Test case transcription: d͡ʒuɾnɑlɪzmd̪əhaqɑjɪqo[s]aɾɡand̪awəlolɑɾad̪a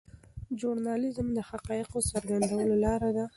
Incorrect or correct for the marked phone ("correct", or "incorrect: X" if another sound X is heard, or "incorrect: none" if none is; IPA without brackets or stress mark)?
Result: correct